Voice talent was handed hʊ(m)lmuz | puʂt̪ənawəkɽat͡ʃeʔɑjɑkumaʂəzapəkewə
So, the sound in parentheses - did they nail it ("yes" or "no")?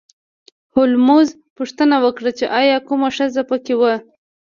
no